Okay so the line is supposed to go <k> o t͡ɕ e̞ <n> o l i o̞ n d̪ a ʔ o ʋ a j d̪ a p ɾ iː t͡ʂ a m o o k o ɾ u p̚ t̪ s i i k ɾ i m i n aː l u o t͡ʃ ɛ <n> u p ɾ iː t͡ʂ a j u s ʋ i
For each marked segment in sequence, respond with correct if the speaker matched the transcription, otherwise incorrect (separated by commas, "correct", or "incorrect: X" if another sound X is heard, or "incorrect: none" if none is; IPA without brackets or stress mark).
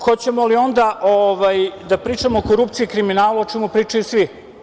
incorrect: x, incorrect: m, incorrect: m